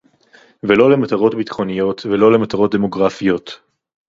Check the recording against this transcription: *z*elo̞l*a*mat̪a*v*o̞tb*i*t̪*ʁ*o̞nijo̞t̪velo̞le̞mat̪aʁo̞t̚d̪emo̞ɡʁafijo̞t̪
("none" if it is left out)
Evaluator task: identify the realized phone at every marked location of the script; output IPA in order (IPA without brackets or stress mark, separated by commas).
v, e, ʁ, i, χ